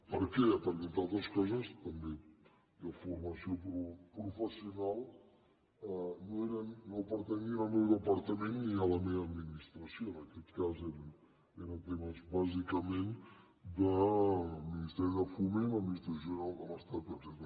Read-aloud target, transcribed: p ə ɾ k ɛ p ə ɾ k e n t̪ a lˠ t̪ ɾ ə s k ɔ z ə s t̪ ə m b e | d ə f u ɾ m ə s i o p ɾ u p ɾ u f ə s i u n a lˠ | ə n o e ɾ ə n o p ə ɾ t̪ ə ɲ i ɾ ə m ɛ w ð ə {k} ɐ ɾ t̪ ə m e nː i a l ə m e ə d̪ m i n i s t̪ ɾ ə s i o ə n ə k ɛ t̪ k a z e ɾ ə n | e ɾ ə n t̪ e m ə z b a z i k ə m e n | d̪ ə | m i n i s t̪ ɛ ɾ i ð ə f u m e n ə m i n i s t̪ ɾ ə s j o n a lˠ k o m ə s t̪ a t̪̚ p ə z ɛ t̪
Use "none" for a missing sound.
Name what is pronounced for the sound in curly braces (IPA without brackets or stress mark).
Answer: p